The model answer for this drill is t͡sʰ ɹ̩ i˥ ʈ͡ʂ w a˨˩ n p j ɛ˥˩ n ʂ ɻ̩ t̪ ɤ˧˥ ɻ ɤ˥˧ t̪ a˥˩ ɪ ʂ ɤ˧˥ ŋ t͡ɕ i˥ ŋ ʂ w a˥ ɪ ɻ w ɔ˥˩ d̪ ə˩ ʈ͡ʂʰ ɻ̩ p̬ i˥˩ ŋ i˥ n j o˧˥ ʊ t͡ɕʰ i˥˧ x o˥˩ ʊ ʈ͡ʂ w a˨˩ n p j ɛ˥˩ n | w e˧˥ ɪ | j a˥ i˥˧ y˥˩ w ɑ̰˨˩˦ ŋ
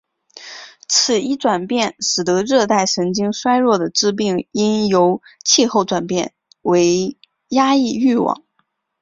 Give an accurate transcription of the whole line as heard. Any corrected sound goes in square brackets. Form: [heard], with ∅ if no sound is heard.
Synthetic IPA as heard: t͡sʰ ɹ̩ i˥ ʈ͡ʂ w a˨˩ n p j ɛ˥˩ n ʂ ɻ̩ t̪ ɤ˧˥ ɻ ɤ˥˧ t̪ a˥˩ ɪ ʂ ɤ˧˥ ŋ t͡ɕ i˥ ŋ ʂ w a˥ ɪ ɻ w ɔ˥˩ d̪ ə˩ [ʈ͡ʂ] ɻ̩ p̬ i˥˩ ŋ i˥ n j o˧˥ ʊ t͡ɕʰ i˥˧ x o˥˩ ʊ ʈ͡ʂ w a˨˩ n p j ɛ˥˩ n | w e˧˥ ɪ | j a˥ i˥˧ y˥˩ w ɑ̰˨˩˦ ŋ